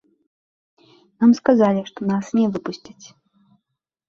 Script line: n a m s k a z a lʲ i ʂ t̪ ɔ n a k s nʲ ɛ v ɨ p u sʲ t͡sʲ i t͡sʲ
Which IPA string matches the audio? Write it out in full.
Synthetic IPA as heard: n a m s k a z a lʲ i ʂ t̪ ɔ n a s nʲ ɛ v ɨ p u sʲ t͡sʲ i t͡sʲ